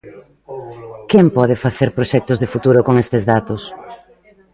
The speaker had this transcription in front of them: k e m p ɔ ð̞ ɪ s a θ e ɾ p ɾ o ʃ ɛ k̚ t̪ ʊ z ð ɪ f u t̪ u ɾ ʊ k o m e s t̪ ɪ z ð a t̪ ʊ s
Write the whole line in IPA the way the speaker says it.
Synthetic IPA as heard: k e m p ɔ ð̞ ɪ f a θ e ɾ p ɾ o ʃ ɛ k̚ t̪ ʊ z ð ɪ f u t̪ u ɾ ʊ k o ŋ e s t̪ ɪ z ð a t̪ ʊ s

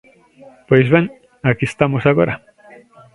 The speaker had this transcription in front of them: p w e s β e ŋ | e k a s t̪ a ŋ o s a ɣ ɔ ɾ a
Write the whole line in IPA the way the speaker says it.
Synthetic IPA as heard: p w e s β e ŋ | a k i s t̪ a m o s a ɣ o ɾ a

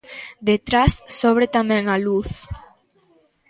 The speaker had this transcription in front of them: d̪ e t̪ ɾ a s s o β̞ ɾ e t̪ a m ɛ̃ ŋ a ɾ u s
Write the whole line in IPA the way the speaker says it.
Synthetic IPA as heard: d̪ e t̪ ɾ a s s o β̞ ɾ e t̪ a m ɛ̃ ŋ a l u θ

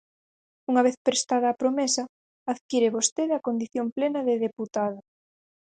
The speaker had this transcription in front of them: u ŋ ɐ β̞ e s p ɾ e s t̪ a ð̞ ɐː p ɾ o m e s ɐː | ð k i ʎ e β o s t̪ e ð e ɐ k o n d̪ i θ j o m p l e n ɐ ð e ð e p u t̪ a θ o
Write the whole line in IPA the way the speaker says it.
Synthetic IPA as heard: u ŋ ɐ β̞ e θ p ɾ e s t̪ a ð̞ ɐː p ɾ o m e s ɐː | ð k i ɾ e β o s t̪ e ð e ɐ k o n d̪ i θ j o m p l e n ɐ ð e ð e p u t̪ a ð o

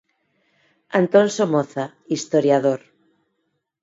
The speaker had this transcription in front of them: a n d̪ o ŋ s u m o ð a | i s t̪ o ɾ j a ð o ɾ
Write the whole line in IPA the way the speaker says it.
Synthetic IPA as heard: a n t̪ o n s o m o θ a | i s t̪ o ɾ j a ð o ɾ

